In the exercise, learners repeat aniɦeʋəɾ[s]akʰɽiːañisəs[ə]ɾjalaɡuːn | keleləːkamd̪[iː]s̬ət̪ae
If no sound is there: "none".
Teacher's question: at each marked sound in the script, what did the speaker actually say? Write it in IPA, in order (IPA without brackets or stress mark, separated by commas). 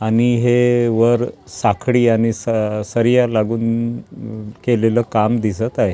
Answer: s, ə, i